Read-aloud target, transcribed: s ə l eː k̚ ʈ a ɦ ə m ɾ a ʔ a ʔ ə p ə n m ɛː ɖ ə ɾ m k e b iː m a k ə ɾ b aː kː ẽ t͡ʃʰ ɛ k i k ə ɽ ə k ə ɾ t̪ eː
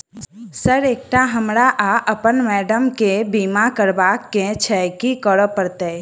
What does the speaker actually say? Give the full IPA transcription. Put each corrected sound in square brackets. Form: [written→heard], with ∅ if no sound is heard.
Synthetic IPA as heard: s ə [l→ɾ] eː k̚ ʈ a ɦ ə m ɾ a ʔ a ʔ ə p ə n m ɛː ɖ ə [ɾ→∅] m k e b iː m a k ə ɾ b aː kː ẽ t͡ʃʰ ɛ k i k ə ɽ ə [k→p] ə ɾ t̪ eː